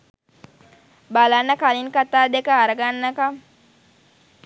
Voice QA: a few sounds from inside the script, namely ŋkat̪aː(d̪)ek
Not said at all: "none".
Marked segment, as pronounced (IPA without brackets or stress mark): d̪